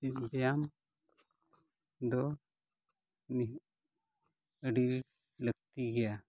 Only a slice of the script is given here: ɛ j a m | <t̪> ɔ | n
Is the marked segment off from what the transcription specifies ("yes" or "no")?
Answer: yes